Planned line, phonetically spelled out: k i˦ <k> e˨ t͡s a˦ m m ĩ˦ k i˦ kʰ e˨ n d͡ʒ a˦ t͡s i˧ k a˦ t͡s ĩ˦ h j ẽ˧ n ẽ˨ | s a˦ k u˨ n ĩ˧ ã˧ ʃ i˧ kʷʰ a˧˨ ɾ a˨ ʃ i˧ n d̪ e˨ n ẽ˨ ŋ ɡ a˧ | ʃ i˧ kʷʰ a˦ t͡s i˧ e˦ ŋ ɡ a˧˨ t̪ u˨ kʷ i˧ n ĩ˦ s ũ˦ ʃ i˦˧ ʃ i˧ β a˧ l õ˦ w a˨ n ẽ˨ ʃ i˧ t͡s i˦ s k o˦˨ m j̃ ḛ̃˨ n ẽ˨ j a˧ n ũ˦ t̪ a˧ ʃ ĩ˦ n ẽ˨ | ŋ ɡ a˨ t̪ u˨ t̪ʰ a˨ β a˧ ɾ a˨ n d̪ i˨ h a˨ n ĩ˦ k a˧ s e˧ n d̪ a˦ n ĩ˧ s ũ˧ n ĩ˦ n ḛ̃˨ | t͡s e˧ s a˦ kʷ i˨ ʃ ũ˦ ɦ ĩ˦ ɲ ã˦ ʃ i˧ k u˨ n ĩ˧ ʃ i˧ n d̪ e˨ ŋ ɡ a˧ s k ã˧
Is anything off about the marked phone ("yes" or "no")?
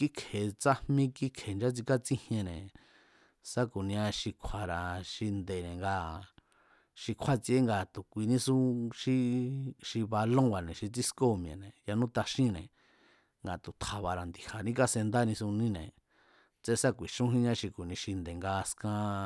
yes